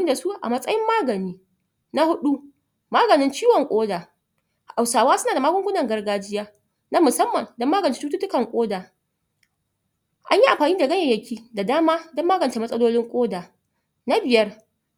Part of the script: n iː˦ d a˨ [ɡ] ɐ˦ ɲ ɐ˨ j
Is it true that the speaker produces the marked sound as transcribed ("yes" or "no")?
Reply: yes